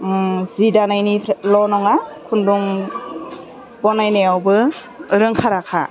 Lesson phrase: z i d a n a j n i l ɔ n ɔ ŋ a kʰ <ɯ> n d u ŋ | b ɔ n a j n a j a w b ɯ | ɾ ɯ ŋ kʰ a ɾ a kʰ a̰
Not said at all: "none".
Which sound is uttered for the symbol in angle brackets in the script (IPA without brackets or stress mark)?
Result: u